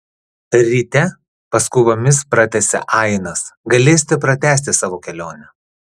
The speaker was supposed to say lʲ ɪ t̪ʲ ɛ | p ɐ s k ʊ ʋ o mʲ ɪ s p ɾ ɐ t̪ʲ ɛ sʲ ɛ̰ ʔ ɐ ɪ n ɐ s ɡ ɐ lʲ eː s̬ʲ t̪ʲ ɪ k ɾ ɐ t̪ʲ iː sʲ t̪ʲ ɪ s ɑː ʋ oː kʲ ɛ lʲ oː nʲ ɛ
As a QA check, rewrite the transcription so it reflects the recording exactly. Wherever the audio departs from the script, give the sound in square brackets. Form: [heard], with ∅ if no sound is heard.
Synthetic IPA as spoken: [ɾʲ] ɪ t̪ʲ ɛ | p ɐ s k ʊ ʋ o mʲ ɪ s p ɾ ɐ t̪ʲ ɛ sʲ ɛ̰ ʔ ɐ ɪ n ɐ s ɡ ɐ lʲ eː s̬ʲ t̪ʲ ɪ [p] ɾ ɐ t̪ʲ [æː] sʲ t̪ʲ ɪ s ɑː ʋ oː kʲ ɛ lʲ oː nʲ ɛ